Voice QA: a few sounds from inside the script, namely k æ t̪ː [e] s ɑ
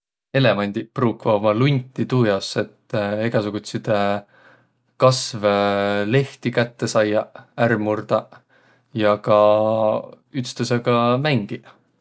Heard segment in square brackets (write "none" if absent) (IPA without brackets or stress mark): e